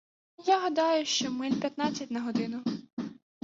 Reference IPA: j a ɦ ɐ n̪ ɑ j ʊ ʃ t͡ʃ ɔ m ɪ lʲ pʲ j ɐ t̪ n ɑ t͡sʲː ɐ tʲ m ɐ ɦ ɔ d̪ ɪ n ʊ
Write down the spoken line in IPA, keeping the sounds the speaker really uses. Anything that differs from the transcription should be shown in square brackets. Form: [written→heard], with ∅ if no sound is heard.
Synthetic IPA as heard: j a ɦ ɐ [n̪→d̪] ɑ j ʊ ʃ t͡ʃ ɔ m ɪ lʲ pʲ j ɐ t̪ n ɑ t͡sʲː ɐ tʲ [m→n] ɐ ɦ ɔ d̪ ɪ n ʊ